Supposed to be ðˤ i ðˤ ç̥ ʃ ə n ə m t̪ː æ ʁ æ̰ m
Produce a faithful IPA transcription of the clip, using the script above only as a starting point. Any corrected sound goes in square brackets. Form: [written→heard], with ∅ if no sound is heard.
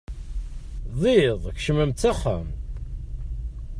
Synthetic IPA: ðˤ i ðˤ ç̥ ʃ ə [n→m] ə m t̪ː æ [ʁ→χ] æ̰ m